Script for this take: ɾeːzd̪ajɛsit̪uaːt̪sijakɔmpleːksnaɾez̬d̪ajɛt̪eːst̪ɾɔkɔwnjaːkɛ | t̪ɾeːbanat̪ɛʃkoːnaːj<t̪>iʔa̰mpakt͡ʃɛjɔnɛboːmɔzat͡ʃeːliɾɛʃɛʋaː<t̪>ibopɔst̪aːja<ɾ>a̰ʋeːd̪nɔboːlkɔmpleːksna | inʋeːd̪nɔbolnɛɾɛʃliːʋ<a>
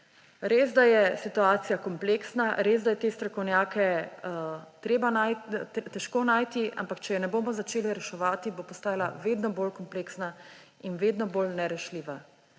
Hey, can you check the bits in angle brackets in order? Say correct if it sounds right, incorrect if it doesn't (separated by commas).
correct, correct, incorrect, correct